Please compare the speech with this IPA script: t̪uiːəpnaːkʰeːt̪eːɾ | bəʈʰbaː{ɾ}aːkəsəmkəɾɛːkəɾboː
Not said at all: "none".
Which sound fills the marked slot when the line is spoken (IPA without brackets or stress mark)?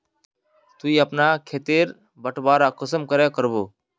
ɾ